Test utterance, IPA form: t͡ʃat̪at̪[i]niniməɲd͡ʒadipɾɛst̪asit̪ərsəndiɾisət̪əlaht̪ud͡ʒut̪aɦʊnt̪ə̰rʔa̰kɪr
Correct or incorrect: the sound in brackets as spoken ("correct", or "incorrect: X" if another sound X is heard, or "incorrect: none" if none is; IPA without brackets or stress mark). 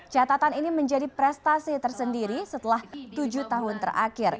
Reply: incorrect: a